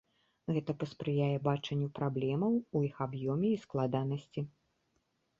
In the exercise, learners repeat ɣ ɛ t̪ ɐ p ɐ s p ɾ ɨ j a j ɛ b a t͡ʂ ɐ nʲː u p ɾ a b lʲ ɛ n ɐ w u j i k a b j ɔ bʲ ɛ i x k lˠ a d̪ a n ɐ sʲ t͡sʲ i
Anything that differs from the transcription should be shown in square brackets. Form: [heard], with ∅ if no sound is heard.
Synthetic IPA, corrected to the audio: ɣ ɛ t̪ ɐ p ɐ s p ɾ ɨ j a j ɛ b a t͡ʂ ɐ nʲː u p ɾ a b lʲ ɛ [m] ɐ w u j i [x] a b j ɔ [mʲ] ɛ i [s] k lˠ a d̪ a n ɐ sʲ t͡sʲ i